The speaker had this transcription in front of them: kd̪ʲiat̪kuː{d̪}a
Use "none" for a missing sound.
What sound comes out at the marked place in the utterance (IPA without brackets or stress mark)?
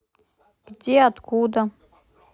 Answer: d̪